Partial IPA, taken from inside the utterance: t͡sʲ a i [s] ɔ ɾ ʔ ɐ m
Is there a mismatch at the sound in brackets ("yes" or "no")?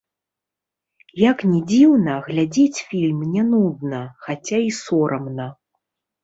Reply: no